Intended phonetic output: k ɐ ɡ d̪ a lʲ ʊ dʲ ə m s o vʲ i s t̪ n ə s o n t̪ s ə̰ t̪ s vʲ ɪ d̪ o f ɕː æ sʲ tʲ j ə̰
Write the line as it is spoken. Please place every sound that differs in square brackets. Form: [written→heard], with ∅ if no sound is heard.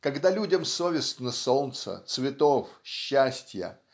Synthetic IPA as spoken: k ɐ ɡ d̪ a lʲ [ʊ→u] dʲ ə m s o vʲ [i→ɪ] s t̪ n ə s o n t̪ s ə̰ t̪ s vʲ ɪ [d̪→t̪] o f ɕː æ sʲ tʲ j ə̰